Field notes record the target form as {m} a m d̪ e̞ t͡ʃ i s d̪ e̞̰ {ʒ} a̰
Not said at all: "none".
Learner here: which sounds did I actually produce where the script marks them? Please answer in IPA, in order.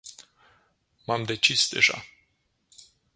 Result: m, ʒ

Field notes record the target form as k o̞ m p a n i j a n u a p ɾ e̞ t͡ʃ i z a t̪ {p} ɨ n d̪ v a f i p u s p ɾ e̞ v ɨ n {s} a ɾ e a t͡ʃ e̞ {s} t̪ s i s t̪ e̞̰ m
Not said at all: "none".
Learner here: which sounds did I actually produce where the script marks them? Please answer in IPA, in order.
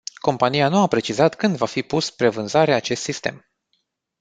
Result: k, z, s

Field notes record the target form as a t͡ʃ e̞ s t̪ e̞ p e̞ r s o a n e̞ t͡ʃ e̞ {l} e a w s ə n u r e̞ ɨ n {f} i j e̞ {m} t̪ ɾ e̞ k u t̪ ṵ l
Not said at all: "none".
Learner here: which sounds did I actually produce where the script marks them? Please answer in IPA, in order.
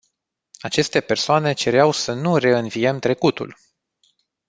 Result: ɾ, v, m

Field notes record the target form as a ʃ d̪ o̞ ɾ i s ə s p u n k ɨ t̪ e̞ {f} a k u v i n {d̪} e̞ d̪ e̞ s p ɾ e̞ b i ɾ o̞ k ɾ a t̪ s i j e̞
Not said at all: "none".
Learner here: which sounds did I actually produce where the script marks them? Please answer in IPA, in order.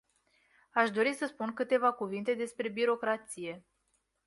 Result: v, t̪

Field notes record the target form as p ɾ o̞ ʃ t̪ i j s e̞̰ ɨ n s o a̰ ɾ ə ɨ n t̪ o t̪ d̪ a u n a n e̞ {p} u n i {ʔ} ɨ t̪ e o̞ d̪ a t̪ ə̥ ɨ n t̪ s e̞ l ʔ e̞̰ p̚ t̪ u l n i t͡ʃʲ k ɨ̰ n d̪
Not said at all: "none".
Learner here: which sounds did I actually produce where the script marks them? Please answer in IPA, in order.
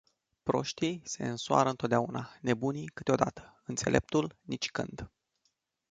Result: b, k

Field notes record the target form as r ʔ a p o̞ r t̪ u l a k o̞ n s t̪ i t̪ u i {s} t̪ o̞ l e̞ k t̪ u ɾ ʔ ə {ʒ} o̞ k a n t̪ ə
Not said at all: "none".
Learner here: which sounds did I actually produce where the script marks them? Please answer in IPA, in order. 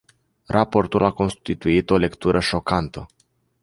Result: none, ʃ

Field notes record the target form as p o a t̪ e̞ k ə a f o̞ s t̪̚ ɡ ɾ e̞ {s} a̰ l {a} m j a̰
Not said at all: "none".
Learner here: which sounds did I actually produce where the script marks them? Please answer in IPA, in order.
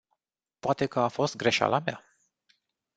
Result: ʃ, a

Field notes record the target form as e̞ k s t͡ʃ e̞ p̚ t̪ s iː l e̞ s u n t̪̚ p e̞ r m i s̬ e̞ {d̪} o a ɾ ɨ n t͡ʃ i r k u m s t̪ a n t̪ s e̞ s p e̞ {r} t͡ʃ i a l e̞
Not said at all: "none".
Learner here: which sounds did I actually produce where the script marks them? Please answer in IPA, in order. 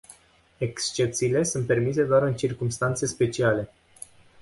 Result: d̪, none

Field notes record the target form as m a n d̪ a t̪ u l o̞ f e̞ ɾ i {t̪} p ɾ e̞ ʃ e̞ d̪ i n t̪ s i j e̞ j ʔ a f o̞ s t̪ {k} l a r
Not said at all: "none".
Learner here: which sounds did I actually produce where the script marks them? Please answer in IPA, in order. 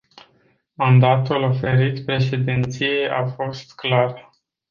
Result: t̪, k

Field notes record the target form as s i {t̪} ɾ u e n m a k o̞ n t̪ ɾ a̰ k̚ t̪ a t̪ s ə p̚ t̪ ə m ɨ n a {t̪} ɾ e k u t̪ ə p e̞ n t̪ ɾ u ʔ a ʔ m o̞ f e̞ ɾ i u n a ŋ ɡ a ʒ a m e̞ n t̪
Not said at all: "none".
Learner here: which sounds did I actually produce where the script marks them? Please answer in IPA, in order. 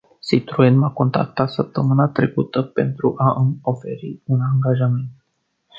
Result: t̪, t̪

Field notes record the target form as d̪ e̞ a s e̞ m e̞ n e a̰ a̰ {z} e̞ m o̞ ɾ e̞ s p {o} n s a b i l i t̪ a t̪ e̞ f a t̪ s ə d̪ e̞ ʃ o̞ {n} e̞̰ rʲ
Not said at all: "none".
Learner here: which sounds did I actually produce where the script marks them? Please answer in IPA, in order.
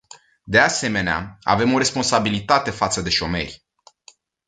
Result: v, o, m

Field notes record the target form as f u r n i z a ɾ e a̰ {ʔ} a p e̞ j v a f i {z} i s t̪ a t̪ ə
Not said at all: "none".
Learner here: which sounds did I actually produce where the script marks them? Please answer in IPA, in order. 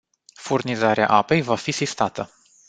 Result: ʔ, s

